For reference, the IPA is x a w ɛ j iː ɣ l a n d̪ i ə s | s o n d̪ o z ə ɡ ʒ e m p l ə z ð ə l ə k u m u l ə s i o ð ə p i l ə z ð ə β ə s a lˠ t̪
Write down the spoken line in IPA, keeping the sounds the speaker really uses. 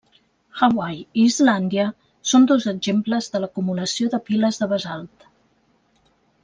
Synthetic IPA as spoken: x a w a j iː z l a n d̪ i ə | s o n d̪ o z ə ɡ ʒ e m p l ə z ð ə l ə k u m u l ə s i o ð ə p i l ə z ð ə β ə z a lˠ t̪